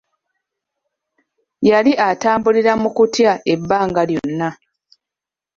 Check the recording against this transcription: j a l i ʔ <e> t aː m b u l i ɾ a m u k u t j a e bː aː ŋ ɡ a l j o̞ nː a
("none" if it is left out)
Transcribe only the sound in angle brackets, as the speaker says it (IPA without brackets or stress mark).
a